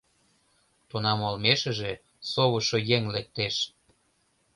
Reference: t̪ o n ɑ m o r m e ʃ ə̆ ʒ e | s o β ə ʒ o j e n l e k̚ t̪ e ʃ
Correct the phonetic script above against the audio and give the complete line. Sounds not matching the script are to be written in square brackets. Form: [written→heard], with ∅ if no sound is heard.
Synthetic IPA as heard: t̪ o n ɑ m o [r→l] m e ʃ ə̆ ʒ e | s o β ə [ʒ→ʃ] o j e [n→ŋ] l e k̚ t̪ e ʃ